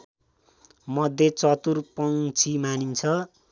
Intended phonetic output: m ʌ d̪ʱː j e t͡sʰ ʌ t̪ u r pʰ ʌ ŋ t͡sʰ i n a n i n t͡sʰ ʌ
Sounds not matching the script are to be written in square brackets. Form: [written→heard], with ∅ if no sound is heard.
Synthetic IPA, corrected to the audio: m ʌ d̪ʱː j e [t͡sʰ→t͡s] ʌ t̪ u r [pʰ→p] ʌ ŋ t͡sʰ i [n→m] a n i n t͡sʰ ʌ